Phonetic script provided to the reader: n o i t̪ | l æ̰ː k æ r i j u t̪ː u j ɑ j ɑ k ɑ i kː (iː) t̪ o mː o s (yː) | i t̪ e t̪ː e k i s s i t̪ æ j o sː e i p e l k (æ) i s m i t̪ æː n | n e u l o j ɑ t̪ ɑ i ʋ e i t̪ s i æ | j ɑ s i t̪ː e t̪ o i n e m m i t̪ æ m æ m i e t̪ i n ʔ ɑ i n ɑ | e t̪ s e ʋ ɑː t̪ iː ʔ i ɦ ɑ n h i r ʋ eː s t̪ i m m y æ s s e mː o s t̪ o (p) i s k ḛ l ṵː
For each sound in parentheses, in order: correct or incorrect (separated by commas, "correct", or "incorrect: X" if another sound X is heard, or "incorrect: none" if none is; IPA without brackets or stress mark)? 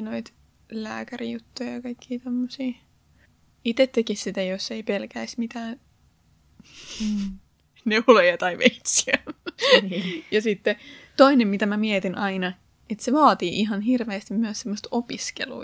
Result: correct, incorrect: iː, correct, correct